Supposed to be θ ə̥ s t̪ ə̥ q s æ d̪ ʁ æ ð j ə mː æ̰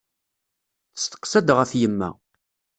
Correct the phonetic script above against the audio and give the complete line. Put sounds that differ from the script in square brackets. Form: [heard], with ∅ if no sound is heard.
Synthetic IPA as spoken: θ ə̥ s t̪ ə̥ q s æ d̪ ʁ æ [θ] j ə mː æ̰